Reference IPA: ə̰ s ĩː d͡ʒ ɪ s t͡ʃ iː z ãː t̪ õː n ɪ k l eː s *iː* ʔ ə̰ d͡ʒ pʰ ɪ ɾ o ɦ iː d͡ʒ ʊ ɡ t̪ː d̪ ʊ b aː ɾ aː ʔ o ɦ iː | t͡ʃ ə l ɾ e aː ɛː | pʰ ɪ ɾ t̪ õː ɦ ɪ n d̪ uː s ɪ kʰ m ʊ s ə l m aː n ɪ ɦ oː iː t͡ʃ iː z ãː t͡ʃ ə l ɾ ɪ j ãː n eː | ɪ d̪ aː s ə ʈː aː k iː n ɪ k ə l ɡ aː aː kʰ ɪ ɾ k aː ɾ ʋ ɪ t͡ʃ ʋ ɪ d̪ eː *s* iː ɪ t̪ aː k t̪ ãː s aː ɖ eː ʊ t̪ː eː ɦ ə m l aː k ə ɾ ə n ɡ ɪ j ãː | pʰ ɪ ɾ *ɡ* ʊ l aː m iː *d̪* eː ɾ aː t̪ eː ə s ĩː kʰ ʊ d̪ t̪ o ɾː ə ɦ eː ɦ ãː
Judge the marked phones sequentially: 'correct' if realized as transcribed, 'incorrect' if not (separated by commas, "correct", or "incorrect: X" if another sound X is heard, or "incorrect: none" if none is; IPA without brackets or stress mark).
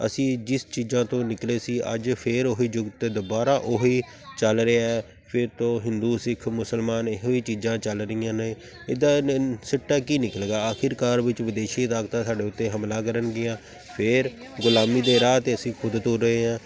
correct, incorrect: ʃ, correct, correct